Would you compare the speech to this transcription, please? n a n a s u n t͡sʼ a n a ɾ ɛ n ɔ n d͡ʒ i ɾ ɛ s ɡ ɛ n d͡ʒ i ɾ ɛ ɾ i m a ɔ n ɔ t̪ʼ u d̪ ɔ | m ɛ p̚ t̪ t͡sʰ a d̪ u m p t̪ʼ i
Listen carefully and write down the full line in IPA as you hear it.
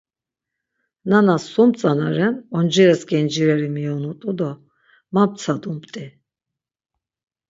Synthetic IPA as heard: n a n a s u m t͡sʼ a n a ɾ ɛ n ɔ n d͡ʒ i ɾ ɛ s ɡ ɛ n d͡ʒ i ɾ ɛ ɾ i m i ɔ n u t̪ʼ u d̪ ɔ | m a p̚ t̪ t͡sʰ a d̪ u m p t̪ʼ i

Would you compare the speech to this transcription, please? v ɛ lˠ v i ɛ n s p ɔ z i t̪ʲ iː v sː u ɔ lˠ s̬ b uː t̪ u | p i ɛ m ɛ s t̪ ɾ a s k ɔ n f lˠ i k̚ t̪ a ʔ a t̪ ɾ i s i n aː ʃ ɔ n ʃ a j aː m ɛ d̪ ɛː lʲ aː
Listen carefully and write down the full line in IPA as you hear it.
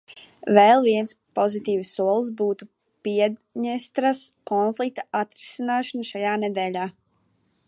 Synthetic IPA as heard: v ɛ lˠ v i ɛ n s p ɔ z i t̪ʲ iː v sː u ɔ lˠ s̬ b uː t̪ u | p i ɛ ɲ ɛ s t̪ ɾ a s k ɔ n f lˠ i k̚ t̪ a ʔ a t̪ ɾ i s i n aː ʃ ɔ n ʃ a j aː n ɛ d̪ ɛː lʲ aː

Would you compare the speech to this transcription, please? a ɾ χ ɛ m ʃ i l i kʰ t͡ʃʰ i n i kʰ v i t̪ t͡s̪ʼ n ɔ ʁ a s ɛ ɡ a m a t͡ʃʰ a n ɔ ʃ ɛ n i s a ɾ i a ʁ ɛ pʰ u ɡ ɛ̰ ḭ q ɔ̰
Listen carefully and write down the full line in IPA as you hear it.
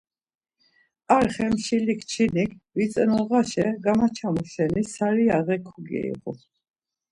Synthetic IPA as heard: a ɾ χ ɛ m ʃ i l i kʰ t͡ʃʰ i n i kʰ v i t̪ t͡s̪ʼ n ɔ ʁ a ʃ ɛ ɡ a m a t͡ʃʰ a m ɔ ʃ ɛ n i s a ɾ i a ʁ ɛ kʰ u ɡ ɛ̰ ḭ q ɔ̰

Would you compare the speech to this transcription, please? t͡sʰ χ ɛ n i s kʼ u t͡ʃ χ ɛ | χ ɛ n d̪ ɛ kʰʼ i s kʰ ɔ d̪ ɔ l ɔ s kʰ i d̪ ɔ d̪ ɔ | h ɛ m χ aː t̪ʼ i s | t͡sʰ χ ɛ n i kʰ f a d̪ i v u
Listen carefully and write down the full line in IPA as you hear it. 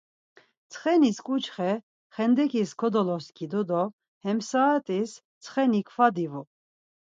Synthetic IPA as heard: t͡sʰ χ ɛ n i s kʼ u t͡ʃ χ ɛ | χ ɛ n d̪ ɛ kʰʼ i s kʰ ɔ d̪ ɔ l ɔ s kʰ i d̪ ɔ d̪ ɔ | h ɛ m s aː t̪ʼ i s | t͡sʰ χ ɛ n i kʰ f a d̪ i v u

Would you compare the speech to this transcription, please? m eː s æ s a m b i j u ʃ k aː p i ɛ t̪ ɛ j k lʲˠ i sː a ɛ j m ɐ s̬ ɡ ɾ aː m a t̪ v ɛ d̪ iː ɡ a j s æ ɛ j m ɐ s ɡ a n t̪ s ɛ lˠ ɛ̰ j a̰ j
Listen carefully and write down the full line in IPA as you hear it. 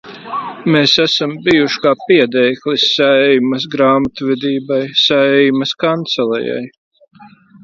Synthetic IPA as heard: m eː s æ s a m b i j u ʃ k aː p i ɛ d̪ ɛ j k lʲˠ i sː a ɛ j m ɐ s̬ ɡ ɾ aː m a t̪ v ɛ d̪ iː b a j s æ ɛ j m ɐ s k a n t̪ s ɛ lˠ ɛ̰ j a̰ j

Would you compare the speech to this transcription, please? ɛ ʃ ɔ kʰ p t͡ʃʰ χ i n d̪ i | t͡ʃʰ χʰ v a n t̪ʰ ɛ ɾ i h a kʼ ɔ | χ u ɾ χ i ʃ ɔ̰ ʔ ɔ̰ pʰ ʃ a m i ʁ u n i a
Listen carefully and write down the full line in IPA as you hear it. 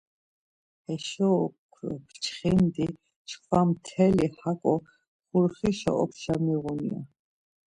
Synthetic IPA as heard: ɛ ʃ ɔ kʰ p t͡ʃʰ χ i n d̪ i | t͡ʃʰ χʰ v a m t̪ʰ ɛ l i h a kʼ ɔ | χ u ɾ χ i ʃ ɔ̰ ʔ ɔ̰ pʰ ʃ a m i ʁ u n i a

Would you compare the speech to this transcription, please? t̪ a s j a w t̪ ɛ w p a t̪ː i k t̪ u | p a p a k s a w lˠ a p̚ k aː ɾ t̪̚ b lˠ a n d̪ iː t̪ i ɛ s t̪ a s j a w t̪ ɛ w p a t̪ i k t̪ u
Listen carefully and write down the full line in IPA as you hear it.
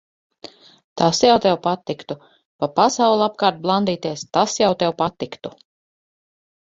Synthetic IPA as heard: t̪ a s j a w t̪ ɛ w p a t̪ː i k t̪ u | p a p a s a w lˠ a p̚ k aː ɾ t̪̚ b lˠ a n d̪ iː t̪ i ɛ s t̪ a s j a w t̪ ɛ w p a t̪ i k t̪ u

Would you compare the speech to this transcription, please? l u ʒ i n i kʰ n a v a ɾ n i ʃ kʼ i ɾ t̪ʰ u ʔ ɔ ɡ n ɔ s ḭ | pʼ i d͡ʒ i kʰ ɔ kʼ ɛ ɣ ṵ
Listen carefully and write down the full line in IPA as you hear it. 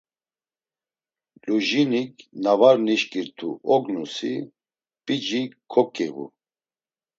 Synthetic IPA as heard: l u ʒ i n i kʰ n a v a ɾ n i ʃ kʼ i ɾ t̪ʰ u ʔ ɔ ɡ n u s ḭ | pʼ i d͡ʒ i kʰ ɔ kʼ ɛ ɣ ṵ

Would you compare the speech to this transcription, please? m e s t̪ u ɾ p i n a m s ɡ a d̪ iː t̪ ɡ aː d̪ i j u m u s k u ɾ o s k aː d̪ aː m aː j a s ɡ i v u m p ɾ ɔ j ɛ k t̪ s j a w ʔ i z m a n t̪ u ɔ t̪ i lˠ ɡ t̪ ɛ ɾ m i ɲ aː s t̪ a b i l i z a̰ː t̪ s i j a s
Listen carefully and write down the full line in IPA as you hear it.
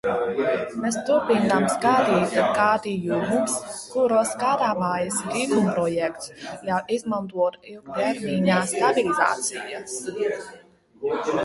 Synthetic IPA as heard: m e s t̪ u ɾ p i n a m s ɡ a d̪ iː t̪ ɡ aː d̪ i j u m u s k u ɾ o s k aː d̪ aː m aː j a s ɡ i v u m p ɾ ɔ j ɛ k t̪ s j a w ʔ i z m a n t̪ u ɔ t̪ i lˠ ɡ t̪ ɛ ɾ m i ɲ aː s t̪ a b i l i z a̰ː t̪ s i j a s

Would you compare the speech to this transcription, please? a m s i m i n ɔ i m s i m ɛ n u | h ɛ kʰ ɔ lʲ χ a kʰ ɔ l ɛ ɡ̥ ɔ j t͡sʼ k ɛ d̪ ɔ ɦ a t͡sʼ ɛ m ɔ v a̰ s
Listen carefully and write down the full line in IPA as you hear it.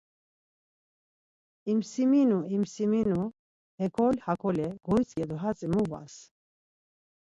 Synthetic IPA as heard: i m s i m i n u i m s i m i n u | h ɛ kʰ ɔ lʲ h a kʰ ɔ l ɛ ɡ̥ ɔ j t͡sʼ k ɛ d̪ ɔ ɦ a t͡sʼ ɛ m u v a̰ s

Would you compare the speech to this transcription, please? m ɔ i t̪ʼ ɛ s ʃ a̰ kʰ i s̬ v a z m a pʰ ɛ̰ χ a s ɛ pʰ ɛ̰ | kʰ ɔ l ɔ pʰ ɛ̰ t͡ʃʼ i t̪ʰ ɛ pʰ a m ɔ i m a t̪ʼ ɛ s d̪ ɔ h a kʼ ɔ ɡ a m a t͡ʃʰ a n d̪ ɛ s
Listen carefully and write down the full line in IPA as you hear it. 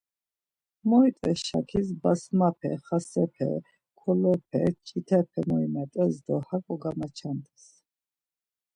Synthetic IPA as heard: m ɔ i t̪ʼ ɛ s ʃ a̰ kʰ i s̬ b a s m a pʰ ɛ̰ χ a s ɛ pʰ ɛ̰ | kʰ ɔ l ɔ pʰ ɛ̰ t͡ʃʼ i t̪ʰ ɛ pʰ ɛ m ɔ i m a t̪ʼ ɛ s d̪ ɔ h a kʼ ɔ ɡ a m a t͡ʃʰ a n d̪ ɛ s

